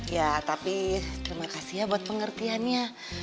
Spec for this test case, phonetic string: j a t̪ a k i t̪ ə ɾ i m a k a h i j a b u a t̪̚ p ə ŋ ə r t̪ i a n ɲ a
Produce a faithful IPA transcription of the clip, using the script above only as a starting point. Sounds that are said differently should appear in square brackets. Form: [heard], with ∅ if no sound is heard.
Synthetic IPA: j a t̪ a [p] i t̪ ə ɾ i m a k a [s] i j a b u a t̪̚ p ə ŋ ə r t̪ i a n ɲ a